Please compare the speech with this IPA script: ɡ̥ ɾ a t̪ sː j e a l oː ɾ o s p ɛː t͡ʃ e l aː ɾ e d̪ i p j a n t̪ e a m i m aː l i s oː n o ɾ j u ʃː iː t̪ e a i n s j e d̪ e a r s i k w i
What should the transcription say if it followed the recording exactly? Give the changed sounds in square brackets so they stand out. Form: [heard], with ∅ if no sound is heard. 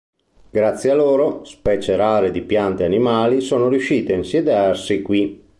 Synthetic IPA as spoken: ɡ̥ ɾ a t̪ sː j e a l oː ɾ o s p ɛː t͡ʃ e [ɾ] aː ɾ e d̪ i p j a n t̪ e a [n] i m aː l i s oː n o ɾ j u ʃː iː t̪ e a i n s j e d̪ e a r s i k w i